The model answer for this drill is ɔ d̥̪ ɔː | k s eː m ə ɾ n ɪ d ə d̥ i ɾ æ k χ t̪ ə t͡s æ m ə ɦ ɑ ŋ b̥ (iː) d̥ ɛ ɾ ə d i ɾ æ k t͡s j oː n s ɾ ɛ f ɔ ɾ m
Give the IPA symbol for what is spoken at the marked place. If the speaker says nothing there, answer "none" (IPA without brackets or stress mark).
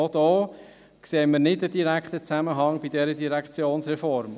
i